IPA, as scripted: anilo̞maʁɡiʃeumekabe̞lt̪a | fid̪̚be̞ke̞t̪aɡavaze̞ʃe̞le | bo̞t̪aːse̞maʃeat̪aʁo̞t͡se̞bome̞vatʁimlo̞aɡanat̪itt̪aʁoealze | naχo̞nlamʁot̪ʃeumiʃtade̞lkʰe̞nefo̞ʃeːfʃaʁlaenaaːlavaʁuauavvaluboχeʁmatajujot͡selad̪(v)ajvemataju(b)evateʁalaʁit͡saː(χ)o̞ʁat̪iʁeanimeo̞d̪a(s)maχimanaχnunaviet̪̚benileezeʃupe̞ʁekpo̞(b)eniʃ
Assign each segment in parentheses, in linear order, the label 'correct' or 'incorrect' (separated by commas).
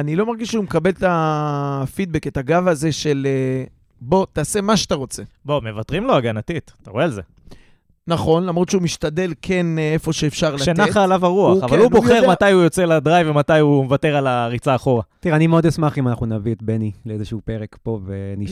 incorrect, incorrect, correct, correct, incorrect